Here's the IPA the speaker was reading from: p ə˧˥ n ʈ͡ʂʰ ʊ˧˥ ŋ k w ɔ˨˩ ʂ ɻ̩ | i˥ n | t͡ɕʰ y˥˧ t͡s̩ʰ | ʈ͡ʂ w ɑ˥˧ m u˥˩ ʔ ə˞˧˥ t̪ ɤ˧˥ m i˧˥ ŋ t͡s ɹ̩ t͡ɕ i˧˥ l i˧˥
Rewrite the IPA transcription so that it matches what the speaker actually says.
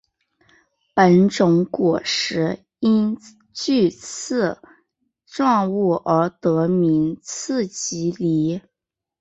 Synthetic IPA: p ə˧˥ n ʈ͡ʂ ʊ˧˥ ŋ k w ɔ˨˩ ʂ ɻ̩ | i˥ n | t͡ɕ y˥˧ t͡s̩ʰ | ʈ͡ʂ w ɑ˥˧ ŋ u˥˩ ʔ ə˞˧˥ t̪ ɤ˧˥ m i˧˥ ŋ t͡sʰ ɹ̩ t͡ɕ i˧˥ l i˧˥